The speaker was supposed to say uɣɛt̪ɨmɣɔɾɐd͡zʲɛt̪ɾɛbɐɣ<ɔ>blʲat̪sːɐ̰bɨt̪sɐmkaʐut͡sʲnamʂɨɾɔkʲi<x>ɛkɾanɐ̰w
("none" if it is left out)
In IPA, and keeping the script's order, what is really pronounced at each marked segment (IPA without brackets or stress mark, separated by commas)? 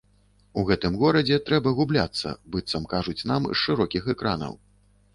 u, x